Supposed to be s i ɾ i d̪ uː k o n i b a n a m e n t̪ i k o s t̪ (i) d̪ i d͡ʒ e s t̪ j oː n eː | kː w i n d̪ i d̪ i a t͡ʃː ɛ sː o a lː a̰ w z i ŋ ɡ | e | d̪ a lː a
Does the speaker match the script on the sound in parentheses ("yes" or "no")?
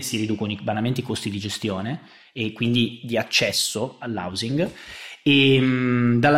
yes